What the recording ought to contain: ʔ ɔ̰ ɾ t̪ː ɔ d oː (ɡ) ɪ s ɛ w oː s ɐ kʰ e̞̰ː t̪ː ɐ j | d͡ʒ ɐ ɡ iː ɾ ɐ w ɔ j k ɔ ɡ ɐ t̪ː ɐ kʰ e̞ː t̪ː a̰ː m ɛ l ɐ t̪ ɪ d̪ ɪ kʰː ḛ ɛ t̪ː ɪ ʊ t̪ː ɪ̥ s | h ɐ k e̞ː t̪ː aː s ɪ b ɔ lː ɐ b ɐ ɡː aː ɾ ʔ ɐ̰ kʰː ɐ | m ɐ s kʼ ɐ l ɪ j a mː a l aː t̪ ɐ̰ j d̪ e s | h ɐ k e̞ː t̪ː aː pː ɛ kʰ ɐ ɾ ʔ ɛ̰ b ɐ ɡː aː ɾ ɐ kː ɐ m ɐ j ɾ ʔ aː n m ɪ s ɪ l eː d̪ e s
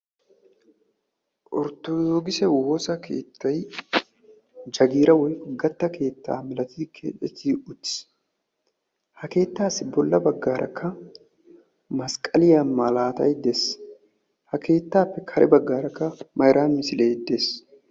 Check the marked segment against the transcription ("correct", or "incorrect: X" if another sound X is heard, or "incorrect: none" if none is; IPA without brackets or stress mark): correct